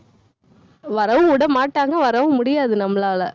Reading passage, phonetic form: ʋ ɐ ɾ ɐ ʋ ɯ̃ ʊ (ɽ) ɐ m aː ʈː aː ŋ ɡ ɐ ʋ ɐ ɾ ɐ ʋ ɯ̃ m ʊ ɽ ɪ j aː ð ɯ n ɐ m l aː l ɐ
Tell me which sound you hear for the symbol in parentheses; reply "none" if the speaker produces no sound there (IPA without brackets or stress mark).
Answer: ɽ